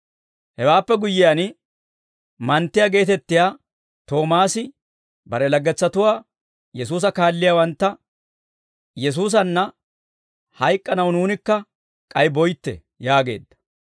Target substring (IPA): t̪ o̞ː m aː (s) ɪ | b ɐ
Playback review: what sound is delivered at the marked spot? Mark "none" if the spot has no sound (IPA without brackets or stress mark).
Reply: s